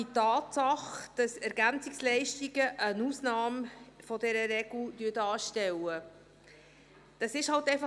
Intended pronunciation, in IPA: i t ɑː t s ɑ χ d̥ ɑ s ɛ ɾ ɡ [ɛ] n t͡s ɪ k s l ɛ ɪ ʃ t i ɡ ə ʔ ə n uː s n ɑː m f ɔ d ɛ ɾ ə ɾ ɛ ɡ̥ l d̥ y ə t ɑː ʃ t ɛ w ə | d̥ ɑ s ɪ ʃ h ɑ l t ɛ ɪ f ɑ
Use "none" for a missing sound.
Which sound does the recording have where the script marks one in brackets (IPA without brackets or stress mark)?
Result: æ